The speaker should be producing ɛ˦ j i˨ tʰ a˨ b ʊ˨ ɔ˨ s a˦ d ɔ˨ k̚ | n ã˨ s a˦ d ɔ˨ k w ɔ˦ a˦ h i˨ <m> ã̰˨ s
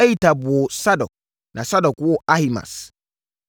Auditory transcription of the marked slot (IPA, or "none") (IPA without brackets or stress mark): m